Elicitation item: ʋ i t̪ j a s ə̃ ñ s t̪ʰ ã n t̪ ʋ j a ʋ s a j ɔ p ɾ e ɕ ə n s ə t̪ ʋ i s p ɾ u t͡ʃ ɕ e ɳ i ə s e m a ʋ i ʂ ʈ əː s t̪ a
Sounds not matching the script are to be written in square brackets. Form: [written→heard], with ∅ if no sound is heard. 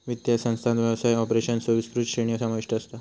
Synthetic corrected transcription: ʋ i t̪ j a s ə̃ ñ s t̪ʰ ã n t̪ ʋ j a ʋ s a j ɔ p ɾ e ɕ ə n s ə [t̪→∅] ʋ i s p ɾ u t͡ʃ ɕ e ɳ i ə s [e→a] m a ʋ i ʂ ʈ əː s t̪ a